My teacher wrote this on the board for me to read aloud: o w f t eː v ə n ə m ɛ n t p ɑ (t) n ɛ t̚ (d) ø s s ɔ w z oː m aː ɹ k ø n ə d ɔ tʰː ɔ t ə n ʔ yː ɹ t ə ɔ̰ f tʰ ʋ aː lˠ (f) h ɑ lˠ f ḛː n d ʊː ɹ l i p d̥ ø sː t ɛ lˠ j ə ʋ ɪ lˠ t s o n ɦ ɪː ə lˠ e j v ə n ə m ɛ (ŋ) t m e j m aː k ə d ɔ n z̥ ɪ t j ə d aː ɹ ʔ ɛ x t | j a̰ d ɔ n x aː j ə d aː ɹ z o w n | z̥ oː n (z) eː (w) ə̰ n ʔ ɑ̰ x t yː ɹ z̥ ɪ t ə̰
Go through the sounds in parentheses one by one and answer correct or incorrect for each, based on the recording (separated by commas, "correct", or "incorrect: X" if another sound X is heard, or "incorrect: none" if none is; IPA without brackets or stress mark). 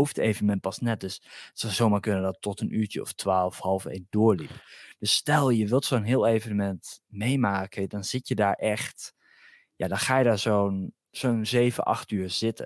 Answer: incorrect: s, correct, correct, incorrect: n, correct, incorrect: v